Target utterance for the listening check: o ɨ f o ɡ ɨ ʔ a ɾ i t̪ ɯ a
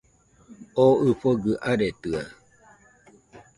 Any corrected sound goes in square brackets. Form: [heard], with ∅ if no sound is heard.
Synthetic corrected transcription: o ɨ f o ɡ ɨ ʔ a ɾ [e] t̪ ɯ a